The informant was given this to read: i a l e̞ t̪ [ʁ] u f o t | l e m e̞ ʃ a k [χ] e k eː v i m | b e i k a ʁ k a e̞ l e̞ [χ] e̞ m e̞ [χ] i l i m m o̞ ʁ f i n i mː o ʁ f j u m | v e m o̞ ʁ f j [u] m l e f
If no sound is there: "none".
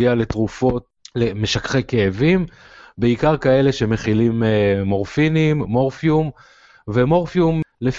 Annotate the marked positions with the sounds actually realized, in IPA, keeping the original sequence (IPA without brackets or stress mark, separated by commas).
ʁ, χ, ʃ, χ, u